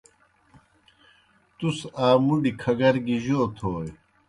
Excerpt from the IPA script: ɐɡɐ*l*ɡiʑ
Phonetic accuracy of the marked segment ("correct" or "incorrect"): incorrect